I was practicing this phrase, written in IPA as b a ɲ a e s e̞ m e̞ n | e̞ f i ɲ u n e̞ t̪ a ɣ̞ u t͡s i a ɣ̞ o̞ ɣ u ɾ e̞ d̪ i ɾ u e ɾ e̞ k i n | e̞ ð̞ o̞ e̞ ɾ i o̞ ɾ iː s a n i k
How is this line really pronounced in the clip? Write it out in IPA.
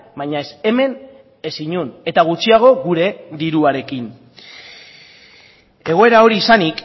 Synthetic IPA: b a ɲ a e s e̞ m e̞ n | e̞ s i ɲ u n e̞ t̪ a ɣ̞ u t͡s i a ɣ̞ o̞ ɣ u ɾ e̞ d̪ i ɾ u a ɾ e̞ k i n | e̞ ɣ̞ o̞ e̞ ɾ a o̞ ɾ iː s a n i k